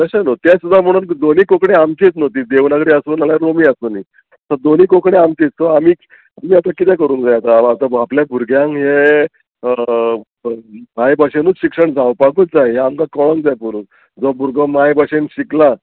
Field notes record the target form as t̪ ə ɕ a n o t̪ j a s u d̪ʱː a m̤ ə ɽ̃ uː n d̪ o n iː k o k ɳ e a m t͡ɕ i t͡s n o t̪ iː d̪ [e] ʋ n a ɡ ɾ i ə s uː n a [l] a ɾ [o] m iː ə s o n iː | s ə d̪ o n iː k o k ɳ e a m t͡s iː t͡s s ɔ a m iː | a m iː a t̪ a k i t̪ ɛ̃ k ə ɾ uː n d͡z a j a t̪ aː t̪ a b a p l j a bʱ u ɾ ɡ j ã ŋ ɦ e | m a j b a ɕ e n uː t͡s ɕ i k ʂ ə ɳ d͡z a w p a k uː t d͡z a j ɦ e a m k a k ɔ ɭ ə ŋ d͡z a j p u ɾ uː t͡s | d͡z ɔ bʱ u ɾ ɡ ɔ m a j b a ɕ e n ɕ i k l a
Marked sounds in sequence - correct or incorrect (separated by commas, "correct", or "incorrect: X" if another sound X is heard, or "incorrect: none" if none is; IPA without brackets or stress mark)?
correct, correct, correct